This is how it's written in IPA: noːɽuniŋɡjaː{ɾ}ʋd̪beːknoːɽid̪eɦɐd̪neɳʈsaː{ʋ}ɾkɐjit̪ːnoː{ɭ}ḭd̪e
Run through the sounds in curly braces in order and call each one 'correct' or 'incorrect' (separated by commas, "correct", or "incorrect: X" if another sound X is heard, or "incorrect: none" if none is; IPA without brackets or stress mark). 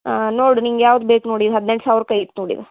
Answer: incorrect: none, correct, incorrect: ɽ